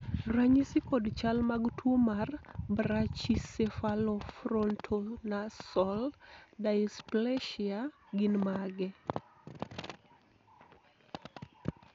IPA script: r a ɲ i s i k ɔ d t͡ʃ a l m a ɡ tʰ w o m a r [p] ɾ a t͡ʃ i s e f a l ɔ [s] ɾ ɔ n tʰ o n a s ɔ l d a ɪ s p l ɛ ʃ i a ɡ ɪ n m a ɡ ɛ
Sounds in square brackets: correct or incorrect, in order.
incorrect: b, incorrect: f

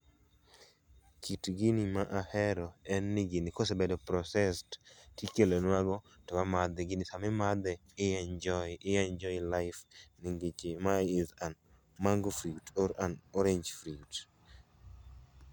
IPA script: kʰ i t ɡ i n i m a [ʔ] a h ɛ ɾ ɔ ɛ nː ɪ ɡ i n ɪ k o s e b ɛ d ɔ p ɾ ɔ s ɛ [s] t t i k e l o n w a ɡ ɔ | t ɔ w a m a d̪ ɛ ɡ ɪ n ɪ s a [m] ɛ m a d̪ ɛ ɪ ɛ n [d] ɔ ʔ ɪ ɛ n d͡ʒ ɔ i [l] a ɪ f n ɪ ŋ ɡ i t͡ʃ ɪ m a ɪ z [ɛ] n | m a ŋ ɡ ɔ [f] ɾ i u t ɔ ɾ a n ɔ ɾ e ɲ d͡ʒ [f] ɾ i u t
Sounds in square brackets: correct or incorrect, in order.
correct, correct, correct, incorrect: d͡ʒ, correct, incorrect: a, correct, correct

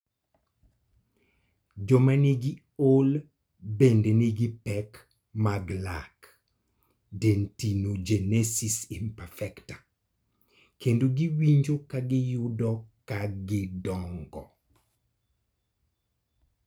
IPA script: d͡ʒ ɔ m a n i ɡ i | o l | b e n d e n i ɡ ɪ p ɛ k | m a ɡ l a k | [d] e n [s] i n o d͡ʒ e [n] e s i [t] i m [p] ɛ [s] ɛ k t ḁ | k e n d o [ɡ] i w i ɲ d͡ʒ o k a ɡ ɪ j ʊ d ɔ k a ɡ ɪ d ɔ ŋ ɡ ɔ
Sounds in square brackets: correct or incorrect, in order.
correct, incorrect: t, correct, incorrect: s, correct, incorrect: f, correct

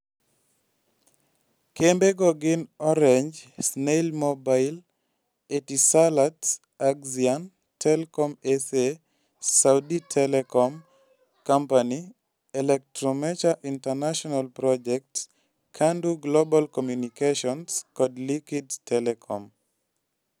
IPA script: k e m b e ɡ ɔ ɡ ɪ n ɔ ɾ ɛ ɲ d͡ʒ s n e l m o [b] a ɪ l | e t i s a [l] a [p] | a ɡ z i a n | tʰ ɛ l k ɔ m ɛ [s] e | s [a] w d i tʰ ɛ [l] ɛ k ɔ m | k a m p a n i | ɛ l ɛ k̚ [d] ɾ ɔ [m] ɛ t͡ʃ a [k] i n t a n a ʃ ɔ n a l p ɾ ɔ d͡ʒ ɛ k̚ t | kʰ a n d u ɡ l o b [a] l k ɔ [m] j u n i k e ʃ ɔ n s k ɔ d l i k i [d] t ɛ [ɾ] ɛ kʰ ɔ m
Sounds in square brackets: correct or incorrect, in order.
correct, correct, incorrect: t, correct, correct, correct, incorrect: t, correct, incorrect: ʔ, correct, correct, correct, incorrect: l

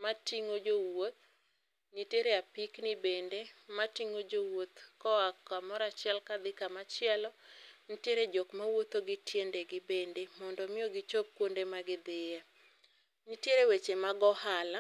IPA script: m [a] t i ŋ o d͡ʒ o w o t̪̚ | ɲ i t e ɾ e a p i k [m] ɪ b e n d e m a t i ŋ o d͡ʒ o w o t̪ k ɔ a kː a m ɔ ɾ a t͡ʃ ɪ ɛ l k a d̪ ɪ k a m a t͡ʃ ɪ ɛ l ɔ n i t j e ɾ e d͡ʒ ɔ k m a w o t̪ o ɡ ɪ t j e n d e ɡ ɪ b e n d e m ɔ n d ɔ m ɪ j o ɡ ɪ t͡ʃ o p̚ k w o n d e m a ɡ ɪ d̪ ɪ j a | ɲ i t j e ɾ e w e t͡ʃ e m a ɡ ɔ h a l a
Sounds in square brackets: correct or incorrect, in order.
correct, incorrect: n

